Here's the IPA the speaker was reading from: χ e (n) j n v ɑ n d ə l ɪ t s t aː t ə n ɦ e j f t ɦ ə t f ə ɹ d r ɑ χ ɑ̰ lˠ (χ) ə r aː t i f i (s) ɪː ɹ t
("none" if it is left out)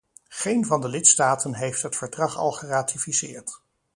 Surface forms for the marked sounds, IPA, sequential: none, χ, s

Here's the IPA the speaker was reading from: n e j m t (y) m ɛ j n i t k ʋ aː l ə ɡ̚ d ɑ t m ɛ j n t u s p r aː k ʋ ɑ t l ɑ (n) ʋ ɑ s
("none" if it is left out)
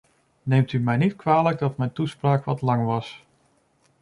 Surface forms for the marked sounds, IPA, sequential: y, ŋ

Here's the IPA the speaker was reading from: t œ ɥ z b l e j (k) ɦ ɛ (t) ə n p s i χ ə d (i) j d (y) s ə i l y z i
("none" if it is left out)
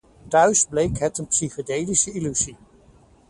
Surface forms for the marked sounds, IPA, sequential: k, t, e, i

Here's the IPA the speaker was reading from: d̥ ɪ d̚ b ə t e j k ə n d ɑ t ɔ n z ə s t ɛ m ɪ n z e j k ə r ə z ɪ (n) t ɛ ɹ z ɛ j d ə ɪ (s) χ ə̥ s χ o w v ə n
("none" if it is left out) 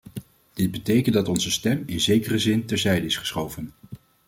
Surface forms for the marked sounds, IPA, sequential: n, s

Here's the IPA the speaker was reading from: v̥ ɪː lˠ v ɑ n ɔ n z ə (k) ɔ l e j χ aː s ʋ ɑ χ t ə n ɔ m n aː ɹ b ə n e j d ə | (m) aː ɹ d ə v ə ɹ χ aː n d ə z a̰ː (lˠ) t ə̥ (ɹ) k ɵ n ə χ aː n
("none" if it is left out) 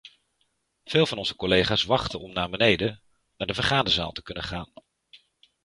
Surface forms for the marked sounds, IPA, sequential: k, n, lˠ, none

